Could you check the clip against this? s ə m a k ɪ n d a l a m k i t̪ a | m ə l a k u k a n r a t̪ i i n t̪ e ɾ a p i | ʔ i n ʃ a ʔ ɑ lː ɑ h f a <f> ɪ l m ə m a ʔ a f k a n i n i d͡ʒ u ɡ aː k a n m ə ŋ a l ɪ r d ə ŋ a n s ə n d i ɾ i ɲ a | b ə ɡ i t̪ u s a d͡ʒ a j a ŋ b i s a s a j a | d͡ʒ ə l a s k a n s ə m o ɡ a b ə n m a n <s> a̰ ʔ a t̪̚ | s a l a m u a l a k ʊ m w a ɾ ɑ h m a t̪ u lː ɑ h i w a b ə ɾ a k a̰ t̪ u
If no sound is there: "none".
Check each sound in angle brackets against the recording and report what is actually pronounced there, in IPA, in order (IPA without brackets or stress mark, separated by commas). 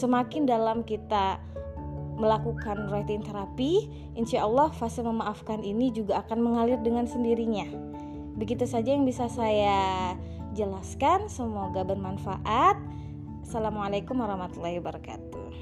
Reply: s, f